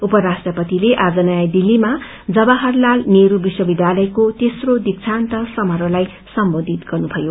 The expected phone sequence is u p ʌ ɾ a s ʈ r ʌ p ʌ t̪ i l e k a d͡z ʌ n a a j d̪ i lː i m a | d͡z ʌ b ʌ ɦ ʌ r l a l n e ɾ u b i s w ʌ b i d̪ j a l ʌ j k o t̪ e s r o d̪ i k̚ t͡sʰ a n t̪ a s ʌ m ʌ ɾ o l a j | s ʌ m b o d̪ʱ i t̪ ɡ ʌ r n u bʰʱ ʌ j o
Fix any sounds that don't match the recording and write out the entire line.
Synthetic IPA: u p ʌ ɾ a s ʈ r ʌ p ʌ t̪ i l e ʔ a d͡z ʌ n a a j d̪ i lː i m a | d͡z ʌ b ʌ ɦ ʌ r l a l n e ɾ u b i s w ʌ b i d̪ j a l ʌ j k o t̪ e s r o d̪ i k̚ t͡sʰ a n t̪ ʌ s ʌ m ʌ ɾ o l a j | s ʌ m b o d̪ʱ i t̪ ɡ ʌ r n u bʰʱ ʌ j o